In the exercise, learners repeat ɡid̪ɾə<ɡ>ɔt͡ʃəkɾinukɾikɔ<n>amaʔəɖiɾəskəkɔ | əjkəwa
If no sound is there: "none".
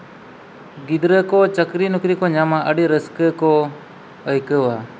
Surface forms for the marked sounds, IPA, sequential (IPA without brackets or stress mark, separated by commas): k, ɲ